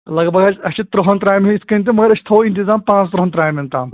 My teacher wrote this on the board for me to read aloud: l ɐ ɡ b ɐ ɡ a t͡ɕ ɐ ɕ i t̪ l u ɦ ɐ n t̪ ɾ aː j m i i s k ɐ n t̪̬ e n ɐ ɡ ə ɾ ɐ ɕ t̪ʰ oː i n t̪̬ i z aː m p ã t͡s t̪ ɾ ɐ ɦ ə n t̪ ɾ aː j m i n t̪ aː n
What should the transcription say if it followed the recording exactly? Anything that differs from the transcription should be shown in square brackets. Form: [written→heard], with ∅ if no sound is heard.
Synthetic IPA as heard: l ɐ ɡ b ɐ ɡ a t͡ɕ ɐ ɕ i t̪ [l→ɾ] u ɦ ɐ n t̪ ɾ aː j m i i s k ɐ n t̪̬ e [n→m] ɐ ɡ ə ɾ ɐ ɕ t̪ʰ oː i n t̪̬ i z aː m p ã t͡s t̪ ɾ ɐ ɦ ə n t̪ ɾ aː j m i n t̪ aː [n→m]